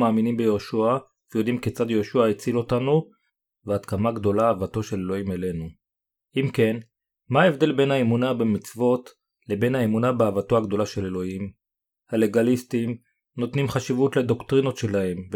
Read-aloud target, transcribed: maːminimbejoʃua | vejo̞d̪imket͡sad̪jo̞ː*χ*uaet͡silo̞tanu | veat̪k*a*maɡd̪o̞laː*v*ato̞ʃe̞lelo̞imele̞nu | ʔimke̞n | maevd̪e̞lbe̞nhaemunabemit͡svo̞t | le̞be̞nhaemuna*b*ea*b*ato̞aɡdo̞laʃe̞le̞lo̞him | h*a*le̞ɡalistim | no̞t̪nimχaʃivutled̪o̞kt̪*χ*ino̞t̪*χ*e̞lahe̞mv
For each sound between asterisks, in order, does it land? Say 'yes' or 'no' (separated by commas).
no, yes, yes, yes, no, yes, no, no